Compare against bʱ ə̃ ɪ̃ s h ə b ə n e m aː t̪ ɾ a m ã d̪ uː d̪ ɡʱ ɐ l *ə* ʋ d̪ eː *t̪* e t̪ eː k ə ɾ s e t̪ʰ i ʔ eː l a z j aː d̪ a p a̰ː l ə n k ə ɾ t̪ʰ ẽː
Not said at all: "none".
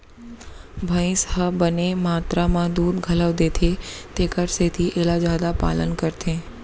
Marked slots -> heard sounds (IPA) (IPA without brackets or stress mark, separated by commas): ə, t̪ʰ